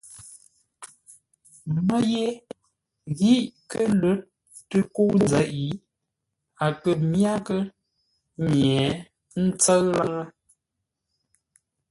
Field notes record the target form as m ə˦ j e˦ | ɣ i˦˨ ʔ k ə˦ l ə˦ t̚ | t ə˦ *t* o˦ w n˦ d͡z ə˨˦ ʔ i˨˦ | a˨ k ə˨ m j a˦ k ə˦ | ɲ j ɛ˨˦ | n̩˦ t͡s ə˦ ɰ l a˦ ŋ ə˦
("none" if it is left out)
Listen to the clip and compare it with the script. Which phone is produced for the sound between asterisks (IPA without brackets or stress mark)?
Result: k